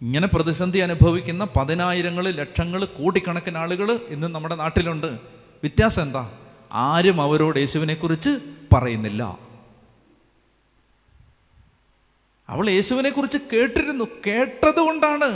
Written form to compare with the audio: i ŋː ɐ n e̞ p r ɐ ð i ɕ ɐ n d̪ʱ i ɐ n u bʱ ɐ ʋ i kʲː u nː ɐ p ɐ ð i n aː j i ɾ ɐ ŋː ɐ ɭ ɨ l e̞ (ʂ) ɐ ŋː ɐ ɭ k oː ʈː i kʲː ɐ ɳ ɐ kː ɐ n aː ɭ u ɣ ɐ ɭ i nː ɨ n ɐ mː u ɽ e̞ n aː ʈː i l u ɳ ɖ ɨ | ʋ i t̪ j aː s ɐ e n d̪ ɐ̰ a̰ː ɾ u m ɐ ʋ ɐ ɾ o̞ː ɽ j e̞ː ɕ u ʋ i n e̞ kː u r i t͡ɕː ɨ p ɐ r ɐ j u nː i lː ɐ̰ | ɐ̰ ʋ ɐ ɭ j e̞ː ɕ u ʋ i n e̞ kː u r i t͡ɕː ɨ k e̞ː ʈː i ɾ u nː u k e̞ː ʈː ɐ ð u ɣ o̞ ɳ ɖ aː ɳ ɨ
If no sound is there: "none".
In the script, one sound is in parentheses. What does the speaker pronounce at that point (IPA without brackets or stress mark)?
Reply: ʂ